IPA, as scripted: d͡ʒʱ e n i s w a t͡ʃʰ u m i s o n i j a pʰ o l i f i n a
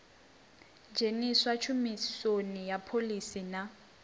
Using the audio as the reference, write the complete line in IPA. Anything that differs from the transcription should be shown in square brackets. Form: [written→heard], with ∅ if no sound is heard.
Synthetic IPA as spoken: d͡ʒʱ e n i s w a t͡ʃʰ u m i s o n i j a pʰ o l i [f→s] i n a